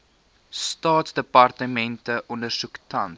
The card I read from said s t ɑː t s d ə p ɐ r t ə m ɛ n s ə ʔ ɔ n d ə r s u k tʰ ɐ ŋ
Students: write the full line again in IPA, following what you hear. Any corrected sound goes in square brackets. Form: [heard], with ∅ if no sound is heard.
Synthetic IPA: s t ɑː t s d ə p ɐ r t ə m ɛ n [t] ə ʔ ɔ n d ə r s u k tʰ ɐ [n]